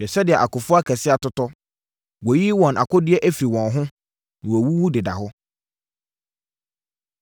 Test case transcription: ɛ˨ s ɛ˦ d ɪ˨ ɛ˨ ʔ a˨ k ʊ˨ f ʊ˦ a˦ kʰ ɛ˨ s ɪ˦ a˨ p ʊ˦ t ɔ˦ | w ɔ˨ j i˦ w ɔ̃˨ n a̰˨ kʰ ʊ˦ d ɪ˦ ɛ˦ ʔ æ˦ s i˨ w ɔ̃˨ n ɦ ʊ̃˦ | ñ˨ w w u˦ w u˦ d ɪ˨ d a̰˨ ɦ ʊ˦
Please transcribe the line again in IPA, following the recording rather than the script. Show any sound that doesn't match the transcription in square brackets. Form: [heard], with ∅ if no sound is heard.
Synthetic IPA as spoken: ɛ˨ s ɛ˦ d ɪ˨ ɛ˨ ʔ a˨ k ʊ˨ f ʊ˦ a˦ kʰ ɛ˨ s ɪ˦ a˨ [t] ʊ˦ t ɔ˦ | w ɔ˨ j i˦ w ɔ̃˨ n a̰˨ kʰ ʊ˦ d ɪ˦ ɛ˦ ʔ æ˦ [f] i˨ w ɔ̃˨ n ɦ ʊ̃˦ | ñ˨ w w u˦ w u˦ d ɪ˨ d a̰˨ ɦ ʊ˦